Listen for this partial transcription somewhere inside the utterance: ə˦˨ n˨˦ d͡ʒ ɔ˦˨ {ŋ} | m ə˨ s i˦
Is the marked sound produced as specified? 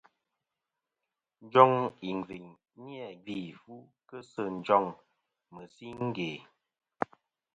yes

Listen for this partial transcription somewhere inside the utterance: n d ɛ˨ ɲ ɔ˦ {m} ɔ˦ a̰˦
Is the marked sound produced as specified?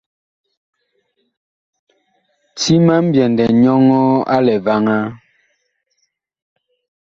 no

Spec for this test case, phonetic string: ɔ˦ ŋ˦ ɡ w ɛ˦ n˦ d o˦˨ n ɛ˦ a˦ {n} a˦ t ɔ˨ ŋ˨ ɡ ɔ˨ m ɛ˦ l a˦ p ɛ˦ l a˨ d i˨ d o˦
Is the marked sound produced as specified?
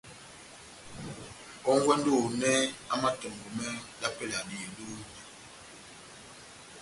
no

